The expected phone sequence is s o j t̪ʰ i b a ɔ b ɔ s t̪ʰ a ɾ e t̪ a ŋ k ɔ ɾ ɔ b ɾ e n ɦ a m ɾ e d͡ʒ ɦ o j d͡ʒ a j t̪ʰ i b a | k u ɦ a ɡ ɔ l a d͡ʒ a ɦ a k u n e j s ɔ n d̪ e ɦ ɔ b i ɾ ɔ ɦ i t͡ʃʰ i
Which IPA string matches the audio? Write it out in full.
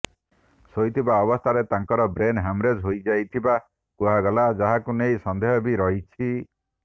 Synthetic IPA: s o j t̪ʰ i b a ɔ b ɔ s t̪ʰ a ɾ e t̪ a ŋ k ɔ ɾ ɔ b ɾ e n ɦ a m ɾ e d͡ʒ ɦ o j d͡ʒ a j t̪ʰ i b a | k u ɦ a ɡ ɔ l a d͡ʒ a ɦ a k u n e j s ɔ n d̪ e ɦ ɔ b i ɾ ɔ ɦ i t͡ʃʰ i